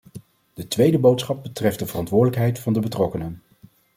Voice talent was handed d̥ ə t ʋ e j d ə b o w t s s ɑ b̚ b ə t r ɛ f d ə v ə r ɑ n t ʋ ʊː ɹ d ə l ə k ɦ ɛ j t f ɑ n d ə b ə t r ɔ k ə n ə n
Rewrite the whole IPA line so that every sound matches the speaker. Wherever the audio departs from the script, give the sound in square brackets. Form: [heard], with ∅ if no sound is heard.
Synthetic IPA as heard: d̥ ə t ʋ e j d ə b o w t s [χ] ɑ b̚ b ə t r ɛ f d ə v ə r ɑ n t ʋ ʊː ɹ d ə l ə k ɦ ɛ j t f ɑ n d ə b ə t r ɔ k ə n ə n